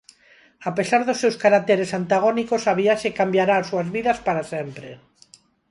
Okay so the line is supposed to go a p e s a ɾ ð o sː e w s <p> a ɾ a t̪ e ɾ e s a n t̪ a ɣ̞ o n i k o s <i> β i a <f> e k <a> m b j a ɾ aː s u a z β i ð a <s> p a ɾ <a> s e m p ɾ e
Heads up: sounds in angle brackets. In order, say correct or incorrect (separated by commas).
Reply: incorrect, incorrect, incorrect, correct, correct, correct